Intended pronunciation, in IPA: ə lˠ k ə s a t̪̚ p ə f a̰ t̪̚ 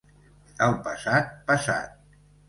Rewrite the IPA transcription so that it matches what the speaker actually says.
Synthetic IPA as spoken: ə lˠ p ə s a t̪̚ p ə s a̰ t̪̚